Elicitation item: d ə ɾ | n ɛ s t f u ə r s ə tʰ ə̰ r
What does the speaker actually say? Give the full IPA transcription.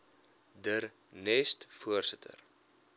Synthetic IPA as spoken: d ə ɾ | n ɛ s t f u ə r s ə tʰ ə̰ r